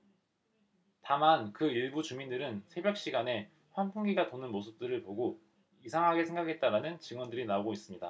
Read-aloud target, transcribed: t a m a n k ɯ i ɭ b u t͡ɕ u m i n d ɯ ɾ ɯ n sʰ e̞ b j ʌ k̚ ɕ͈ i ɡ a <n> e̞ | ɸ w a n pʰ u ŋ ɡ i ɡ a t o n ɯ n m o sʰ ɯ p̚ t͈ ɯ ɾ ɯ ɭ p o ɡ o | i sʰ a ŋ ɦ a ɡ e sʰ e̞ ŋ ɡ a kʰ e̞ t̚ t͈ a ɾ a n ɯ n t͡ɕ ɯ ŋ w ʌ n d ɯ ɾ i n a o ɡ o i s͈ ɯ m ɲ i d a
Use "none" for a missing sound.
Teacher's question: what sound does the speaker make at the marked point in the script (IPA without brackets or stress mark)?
n